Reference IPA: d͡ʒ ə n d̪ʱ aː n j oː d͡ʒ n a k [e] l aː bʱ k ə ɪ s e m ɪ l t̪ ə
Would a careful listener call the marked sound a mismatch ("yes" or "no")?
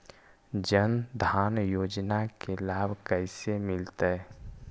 no